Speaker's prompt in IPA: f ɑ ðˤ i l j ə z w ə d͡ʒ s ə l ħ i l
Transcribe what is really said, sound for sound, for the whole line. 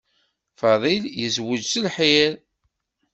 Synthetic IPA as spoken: f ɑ ðˤ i l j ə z w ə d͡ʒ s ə l ħ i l